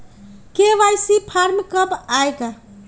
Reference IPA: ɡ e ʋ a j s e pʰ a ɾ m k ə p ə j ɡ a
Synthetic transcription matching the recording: k e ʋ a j s i pʰ a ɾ m k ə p a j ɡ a